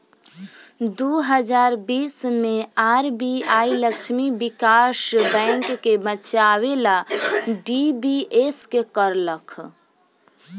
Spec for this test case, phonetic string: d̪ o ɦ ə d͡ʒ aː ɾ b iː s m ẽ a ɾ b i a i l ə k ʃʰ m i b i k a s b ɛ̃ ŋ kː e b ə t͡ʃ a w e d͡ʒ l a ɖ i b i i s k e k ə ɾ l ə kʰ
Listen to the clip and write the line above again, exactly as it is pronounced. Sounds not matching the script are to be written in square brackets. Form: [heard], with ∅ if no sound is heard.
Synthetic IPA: d̪ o ɦ ə d͡ʒ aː ɾ b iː s m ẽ a ɾ b i a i l ə k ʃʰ m i b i k a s b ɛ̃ ŋ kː e b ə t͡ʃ a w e [∅] l a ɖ i b i [e] s k e k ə ɾ l ə kʰ